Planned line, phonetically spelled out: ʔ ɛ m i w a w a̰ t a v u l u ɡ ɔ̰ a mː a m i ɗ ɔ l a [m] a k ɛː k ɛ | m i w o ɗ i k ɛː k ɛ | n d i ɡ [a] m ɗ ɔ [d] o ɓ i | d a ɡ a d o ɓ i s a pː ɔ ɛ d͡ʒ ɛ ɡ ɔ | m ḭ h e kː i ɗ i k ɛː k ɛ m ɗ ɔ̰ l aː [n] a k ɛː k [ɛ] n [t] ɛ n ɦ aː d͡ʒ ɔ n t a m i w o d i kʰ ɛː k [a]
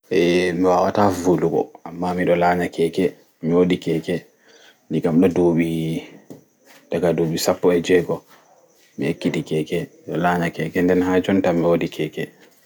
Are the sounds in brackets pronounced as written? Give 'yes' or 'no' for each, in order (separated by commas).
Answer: no, yes, yes, no, yes, no, no